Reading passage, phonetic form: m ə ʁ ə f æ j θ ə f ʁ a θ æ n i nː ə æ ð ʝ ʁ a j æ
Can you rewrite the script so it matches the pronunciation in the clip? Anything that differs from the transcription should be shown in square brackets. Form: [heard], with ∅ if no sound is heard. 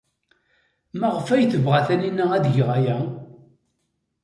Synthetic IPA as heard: m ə ʁ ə f æ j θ ə [v] ʁ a θ æ n i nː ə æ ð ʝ ʁ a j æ